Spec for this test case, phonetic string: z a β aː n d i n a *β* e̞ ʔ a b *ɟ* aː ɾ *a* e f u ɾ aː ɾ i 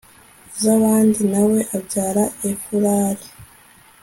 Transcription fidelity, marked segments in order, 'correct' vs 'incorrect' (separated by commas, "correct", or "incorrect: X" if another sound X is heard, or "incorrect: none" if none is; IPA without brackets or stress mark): incorrect: w, correct, correct